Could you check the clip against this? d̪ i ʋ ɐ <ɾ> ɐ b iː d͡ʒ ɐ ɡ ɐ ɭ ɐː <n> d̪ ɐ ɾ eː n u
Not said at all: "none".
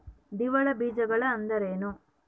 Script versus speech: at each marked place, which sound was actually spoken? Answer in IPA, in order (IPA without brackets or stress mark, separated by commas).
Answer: ɭ, n